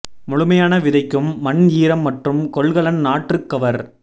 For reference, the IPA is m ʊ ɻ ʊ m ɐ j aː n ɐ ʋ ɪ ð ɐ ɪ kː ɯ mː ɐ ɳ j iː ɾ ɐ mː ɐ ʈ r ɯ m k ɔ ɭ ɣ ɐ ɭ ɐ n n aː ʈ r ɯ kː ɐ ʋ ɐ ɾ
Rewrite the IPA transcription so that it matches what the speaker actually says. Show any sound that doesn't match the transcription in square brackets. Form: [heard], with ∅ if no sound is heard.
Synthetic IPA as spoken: m ʊ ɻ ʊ m ɐ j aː n ɐ ʋ ɪ ð ɐ ɪ kː ɯ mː ɐ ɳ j iː ɾ ɐ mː ɐ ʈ r ɯ m k ɔ ɭ ɣ ɐ ɭ ɐ n n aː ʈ r ɯ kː ɐ ʋ ɐ ɾ